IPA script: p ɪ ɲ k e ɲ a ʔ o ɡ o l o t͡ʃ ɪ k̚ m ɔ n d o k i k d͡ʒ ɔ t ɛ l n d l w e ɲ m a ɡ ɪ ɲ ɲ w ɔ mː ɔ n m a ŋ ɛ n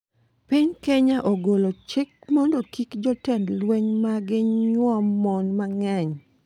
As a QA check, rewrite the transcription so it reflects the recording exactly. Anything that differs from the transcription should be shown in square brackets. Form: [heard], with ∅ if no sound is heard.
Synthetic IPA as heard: p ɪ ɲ k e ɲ a ʔ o ɡ o l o t͡ʃ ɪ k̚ m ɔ n d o k i k d͡ʒ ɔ t ɛ [∅] n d l w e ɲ m a ɡ ɪ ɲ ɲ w ɔ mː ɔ n m a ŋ ɛ [ɲ]

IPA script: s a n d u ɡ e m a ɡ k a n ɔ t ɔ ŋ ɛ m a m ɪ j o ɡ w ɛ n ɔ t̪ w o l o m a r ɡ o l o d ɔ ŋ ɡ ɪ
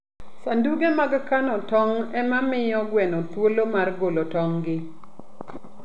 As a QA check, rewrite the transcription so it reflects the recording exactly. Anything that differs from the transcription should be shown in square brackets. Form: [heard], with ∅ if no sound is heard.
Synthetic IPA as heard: s a n d u ɡ e m a ɡ k a n ɔ t ɔ ŋ ɛ m a m ɪ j [ɔ] ɡ w ɛ n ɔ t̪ w o l o m a r ɡ o l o [t] ɔ ŋ ɡ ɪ

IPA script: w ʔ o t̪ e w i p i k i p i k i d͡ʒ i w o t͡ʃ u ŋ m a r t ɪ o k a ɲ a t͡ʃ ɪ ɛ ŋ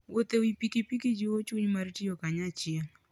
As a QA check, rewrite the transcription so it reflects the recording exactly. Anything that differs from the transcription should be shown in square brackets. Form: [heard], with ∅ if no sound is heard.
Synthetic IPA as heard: w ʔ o t̪ e w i p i k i p i k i d͡ʒ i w o t͡ʃ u [ɲ] m a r t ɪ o k a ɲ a t͡ʃ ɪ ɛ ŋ

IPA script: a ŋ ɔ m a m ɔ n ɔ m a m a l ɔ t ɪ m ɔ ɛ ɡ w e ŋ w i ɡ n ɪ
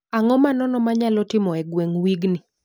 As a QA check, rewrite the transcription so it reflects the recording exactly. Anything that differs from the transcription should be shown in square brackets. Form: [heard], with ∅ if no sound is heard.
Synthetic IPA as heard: a ŋ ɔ m a [n] ɔ n ɔ m a [ɲ] a l ɔ t ɪ m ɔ ɛ ɡ w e ŋ w i ɡ n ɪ

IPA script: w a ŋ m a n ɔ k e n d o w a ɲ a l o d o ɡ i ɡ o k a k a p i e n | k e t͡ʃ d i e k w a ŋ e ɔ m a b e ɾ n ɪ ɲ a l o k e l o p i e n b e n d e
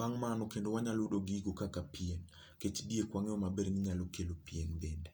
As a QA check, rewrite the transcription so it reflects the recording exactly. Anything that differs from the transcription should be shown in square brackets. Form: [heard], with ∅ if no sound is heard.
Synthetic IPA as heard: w a ŋ m a n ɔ k e n d o w a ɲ a l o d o ɡ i ɡ o k a k a p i e n | k e t͡ʃ d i e k w a ŋ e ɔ m a b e ɾ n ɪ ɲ a l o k e l o p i e n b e n d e

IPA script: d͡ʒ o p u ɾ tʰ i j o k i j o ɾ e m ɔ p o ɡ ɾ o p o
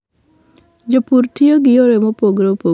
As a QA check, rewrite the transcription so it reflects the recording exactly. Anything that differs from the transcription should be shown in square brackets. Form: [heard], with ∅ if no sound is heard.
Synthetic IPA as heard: d͡ʒ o p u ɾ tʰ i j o [ɡ] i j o ɾ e m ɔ p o ɡ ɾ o p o

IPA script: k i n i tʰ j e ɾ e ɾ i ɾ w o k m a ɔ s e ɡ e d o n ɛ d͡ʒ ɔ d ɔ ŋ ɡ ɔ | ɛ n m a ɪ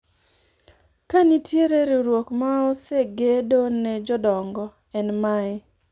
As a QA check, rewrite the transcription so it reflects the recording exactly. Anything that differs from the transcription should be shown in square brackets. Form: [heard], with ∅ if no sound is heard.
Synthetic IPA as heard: k [a] n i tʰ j e ɾ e ɾ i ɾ w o k m a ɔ s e ɡ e d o n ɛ d͡ʒ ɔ d ɔ ŋ ɡ ɔ | ɛ n m a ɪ

